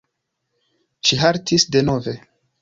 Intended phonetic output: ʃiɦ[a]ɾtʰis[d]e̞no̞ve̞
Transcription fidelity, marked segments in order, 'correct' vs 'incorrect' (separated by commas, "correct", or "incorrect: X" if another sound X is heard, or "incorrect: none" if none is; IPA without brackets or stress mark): correct, correct